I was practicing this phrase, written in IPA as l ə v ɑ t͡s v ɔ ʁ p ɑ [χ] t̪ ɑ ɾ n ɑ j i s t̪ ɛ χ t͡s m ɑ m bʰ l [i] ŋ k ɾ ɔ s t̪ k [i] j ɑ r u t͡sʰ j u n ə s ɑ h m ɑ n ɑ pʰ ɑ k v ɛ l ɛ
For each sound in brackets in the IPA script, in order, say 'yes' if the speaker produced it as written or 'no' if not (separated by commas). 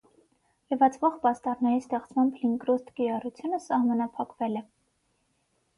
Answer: no, yes, yes